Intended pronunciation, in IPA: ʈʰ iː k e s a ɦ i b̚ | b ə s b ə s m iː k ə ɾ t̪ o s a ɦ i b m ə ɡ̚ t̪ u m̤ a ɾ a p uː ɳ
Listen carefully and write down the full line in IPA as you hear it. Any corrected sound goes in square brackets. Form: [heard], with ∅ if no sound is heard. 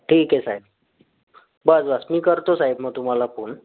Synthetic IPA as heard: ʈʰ iː k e s a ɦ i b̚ | b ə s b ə s m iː k ə ɾ t̪ o s a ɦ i b m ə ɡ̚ t̪ u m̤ a [l] a p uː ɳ